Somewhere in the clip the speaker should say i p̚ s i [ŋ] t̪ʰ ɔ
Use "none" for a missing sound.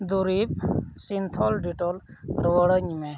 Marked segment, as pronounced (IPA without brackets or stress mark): n